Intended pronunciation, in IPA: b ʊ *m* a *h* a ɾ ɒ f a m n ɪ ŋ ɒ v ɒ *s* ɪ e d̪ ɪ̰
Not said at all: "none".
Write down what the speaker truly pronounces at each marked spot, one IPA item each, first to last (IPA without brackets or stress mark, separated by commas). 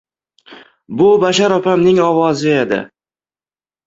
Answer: b, ʃ, z